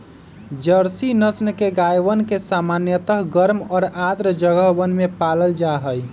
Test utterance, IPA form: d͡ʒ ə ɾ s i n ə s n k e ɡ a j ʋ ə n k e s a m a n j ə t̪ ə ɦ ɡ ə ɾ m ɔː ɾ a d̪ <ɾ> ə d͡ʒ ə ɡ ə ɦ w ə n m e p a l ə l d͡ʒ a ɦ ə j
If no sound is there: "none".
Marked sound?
ɾ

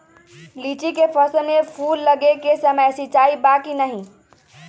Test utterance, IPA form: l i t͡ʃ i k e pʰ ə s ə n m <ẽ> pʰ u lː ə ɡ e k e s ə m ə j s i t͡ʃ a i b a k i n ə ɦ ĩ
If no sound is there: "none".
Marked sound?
e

